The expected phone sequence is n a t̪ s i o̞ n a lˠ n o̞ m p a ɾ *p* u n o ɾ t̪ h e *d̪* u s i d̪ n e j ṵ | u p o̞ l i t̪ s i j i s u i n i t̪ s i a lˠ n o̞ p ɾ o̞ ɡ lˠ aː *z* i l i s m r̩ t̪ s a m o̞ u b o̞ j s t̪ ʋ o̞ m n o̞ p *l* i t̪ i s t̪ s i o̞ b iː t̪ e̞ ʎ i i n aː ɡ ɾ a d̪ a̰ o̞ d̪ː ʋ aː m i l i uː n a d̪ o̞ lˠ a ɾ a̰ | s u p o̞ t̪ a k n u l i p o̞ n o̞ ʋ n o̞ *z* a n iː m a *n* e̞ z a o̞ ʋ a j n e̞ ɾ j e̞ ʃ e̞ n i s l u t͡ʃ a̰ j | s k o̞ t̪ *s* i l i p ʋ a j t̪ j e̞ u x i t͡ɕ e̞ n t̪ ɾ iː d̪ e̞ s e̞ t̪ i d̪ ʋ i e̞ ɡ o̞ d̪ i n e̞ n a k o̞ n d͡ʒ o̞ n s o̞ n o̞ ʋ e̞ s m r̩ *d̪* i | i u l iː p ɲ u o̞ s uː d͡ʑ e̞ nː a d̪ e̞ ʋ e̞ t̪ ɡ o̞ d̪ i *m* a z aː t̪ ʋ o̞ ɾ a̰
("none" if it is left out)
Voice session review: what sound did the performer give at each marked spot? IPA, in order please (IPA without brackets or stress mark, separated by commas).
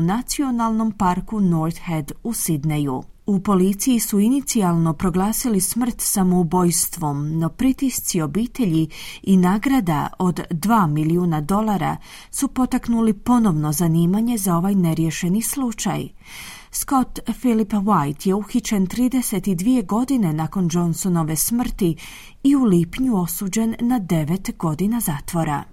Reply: k, d̪, s, ɾ, z, ɲ, f, t̪, n